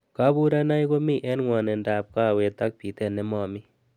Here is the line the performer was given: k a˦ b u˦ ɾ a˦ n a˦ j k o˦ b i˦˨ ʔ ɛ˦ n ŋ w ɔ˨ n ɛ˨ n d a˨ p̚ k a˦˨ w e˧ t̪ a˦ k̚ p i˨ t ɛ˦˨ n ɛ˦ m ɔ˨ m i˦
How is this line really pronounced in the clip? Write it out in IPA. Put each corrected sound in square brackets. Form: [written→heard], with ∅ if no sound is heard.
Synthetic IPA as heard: k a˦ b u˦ ɾ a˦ n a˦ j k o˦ [b→m] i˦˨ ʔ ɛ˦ n ŋ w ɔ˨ n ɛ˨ n d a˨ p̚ k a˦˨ w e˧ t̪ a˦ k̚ p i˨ t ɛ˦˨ n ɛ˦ m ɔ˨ m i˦